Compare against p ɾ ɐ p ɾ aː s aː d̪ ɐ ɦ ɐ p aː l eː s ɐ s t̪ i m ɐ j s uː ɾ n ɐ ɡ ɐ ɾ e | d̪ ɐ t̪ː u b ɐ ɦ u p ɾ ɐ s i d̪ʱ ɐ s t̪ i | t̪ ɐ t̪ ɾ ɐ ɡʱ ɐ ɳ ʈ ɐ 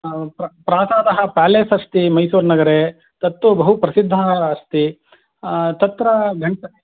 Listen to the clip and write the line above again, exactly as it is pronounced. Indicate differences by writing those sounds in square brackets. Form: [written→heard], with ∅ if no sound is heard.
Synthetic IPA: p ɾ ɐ p ɾ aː s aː d̪ ɐ ɦ ɐ p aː l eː s ɐ s t̪ i m ɐ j s uː ɾ n ɐ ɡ ɐ ɾ e | [d̪→t̪] ɐ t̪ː u b ɐ ɦ u p ɾ ɐ s i [d̪ʱ→d̪ʱː] ɐ s t̪ i | t̪ ɐ t̪ ɾ ɐ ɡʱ ɐ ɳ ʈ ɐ